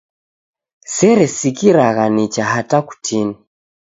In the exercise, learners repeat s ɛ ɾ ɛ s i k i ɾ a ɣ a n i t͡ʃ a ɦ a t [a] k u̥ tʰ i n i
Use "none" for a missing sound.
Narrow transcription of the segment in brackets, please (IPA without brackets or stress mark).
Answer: a